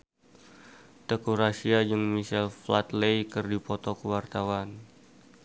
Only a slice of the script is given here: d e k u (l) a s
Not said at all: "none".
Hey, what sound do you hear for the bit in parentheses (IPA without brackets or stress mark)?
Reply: ɾ